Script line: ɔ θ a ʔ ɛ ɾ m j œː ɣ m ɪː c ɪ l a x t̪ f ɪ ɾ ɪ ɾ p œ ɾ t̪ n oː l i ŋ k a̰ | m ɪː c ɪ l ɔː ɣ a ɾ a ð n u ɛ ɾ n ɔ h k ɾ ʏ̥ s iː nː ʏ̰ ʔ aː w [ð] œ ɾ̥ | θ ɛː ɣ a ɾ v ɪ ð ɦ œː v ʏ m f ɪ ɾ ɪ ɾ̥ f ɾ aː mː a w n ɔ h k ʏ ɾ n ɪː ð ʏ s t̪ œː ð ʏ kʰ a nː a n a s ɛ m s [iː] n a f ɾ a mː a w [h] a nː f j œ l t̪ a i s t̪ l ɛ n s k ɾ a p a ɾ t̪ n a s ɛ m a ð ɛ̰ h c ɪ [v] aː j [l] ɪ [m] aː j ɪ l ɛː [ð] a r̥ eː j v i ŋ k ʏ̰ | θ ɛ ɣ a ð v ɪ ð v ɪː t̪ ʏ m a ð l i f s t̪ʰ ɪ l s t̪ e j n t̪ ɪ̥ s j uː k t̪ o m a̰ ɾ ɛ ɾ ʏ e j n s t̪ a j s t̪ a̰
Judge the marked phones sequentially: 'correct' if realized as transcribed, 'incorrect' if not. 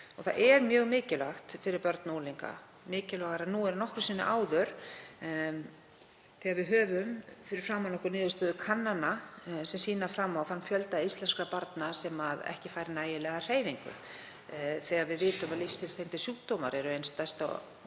correct, correct, incorrect, incorrect, incorrect, incorrect, incorrect

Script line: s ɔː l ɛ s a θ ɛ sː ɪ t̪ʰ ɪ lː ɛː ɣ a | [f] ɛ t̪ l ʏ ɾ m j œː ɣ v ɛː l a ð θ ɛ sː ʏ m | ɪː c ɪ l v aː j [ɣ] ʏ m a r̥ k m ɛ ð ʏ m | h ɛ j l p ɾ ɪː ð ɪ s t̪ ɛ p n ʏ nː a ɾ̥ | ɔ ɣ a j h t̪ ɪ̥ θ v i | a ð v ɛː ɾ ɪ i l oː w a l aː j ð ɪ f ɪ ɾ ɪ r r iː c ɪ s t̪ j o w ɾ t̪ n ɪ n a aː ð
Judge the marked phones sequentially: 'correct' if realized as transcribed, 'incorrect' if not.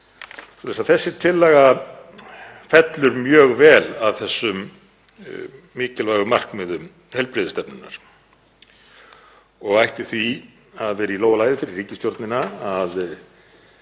correct, correct

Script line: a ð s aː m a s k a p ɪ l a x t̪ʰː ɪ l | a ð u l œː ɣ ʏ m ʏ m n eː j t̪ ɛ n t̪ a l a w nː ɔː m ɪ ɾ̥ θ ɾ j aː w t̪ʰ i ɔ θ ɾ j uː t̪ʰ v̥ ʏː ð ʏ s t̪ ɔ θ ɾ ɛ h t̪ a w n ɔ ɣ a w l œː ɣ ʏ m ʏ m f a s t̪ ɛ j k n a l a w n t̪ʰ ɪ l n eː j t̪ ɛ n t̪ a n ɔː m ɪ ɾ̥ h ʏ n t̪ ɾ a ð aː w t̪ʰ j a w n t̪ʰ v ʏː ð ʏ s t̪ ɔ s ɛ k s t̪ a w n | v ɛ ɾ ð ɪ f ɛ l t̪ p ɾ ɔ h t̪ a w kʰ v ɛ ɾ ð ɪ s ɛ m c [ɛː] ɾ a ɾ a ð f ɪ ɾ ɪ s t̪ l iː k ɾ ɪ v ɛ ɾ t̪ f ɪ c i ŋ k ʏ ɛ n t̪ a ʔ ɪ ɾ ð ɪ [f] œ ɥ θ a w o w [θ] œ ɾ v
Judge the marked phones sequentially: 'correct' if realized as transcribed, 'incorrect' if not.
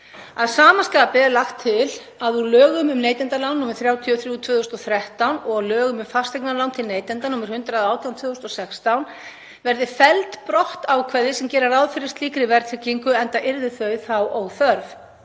correct, incorrect, correct

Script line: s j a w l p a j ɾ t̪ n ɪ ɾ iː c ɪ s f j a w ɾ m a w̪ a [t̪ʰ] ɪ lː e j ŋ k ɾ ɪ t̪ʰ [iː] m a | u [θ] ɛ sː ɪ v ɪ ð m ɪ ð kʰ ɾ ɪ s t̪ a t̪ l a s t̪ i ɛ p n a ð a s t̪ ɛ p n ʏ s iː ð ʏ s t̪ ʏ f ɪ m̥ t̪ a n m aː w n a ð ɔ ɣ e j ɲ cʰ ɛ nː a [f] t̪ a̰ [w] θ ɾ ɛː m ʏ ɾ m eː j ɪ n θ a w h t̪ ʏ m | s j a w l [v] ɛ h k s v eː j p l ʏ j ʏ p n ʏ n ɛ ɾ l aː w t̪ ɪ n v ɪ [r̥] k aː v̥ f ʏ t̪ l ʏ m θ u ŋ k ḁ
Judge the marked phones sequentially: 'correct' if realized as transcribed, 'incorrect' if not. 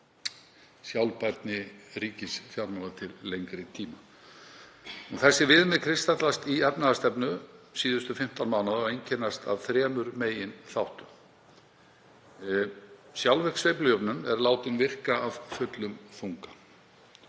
correct, correct, correct, incorrect, incorrect, correct, correct

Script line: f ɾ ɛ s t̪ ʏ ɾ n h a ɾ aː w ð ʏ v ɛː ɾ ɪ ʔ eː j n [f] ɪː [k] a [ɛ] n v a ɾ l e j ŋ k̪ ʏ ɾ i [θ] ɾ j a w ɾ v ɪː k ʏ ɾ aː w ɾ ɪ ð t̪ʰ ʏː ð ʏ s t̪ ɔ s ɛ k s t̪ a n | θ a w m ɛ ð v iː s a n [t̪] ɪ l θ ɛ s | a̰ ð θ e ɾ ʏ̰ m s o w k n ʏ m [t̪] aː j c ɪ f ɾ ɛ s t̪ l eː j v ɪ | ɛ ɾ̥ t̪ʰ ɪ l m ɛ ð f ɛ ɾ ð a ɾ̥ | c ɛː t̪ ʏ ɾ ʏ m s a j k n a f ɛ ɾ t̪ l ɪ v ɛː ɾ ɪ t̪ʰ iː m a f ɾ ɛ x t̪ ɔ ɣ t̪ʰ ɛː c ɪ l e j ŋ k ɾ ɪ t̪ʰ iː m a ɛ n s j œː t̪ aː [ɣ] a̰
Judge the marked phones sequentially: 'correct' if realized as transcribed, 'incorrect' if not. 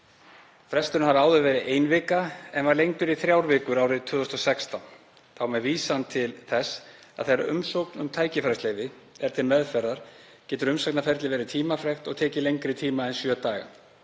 incorrect, correct, correct, correct, incorrect, incorrect, correct

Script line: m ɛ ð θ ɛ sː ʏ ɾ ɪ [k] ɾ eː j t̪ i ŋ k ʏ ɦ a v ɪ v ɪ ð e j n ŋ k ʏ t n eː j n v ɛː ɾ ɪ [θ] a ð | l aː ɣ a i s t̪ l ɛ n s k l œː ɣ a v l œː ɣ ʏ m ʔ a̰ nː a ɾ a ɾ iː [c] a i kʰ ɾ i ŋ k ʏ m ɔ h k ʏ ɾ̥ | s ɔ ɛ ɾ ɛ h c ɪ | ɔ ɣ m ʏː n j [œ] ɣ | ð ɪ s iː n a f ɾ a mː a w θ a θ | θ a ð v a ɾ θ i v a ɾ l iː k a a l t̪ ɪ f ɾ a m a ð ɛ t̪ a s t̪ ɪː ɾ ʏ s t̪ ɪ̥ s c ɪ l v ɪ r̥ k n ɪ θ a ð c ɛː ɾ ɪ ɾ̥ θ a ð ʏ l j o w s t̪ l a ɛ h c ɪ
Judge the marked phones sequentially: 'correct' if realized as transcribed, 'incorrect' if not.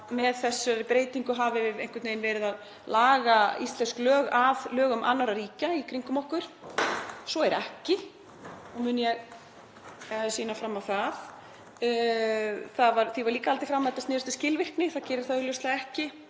incorrect, incorrect, correct, incorrect

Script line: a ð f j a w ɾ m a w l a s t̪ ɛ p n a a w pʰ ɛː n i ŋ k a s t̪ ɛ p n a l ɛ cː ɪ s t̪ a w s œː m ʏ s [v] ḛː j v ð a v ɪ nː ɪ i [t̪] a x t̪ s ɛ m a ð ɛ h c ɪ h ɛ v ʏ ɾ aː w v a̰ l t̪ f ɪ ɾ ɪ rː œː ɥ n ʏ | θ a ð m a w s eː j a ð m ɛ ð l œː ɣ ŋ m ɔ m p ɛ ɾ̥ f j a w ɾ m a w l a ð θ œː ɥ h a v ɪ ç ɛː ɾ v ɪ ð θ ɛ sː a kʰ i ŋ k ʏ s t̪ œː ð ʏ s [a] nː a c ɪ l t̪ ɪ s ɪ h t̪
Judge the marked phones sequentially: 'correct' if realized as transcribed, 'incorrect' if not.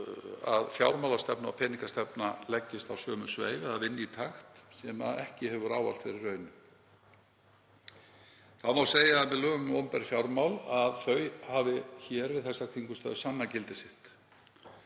correct, incorrect, correct

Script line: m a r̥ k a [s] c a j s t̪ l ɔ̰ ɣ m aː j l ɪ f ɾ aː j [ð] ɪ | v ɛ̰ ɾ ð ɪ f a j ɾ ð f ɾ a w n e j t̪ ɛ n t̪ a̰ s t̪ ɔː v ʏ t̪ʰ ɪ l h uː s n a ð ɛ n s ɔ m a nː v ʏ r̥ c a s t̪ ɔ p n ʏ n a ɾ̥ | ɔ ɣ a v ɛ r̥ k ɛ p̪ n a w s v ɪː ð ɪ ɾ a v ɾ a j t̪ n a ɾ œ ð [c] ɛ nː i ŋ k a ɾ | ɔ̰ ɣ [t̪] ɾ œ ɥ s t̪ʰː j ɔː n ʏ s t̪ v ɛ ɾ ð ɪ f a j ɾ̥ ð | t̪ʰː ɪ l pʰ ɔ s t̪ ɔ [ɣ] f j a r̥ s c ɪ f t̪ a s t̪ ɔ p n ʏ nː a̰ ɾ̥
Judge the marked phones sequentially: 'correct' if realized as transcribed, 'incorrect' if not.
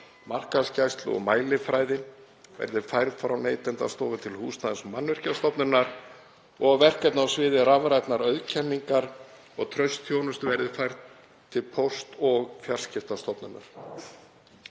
correct, correct, incorrect, incorrect, correct

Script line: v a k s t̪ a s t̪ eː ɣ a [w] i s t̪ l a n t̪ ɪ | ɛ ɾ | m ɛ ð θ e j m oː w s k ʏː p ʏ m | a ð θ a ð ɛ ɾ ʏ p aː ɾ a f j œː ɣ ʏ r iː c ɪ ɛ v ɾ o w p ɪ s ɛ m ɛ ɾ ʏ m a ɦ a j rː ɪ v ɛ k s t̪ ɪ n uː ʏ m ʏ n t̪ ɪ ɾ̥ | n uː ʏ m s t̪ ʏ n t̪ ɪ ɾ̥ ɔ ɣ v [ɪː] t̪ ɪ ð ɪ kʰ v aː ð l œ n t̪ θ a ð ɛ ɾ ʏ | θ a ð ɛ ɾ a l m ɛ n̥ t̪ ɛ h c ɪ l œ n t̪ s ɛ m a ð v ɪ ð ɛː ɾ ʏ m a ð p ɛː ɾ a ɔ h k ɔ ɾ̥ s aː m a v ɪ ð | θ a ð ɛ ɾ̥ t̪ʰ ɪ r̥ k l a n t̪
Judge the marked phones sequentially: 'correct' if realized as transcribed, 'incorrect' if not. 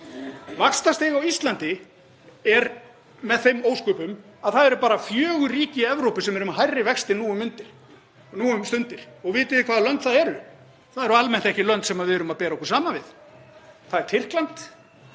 correct, correct

